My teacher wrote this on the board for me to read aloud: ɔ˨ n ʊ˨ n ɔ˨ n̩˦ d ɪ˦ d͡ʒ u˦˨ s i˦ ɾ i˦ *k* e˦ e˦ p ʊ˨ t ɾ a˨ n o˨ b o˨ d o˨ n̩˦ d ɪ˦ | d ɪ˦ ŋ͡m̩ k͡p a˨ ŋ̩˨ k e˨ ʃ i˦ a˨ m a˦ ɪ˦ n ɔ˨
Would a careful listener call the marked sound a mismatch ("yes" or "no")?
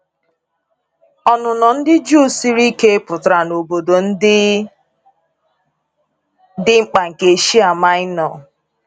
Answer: no